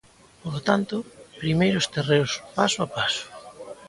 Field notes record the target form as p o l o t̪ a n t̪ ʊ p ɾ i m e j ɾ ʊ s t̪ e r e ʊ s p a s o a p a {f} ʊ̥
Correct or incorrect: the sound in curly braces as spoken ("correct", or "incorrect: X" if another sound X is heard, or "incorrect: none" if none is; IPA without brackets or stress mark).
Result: incorrect: s